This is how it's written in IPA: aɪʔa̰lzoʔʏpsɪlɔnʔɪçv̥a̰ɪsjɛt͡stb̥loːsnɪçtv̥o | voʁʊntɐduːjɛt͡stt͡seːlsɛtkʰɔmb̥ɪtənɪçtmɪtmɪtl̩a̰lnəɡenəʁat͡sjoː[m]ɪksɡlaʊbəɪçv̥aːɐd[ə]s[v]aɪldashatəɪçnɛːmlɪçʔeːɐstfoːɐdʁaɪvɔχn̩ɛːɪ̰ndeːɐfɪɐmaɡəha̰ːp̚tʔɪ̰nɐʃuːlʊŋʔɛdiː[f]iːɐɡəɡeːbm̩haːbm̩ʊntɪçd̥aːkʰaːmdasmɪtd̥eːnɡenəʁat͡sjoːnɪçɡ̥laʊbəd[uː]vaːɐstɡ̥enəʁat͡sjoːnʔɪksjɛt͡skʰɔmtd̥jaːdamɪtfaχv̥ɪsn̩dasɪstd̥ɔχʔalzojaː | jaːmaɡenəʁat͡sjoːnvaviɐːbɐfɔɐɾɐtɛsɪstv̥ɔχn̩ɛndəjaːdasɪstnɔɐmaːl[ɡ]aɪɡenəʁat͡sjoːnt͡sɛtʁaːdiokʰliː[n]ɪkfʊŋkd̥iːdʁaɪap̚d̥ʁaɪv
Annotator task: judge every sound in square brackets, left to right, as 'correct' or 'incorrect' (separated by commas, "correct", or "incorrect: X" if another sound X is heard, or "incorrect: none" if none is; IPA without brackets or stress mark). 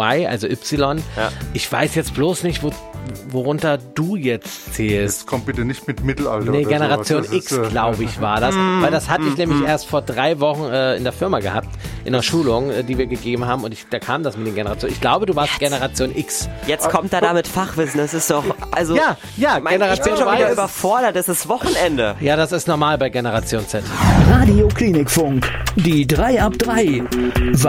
incorrect: n, incorrect: a, correct, incorrect: v, correct, incorrect: b, correct